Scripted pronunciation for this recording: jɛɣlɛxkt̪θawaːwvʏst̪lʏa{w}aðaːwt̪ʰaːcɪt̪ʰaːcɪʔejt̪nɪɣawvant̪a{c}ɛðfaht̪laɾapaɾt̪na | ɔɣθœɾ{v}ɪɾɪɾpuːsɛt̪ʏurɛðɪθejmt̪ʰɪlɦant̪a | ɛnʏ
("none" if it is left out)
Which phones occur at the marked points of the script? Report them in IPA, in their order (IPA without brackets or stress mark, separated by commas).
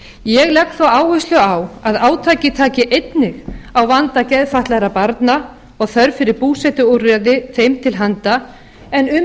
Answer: w, c, f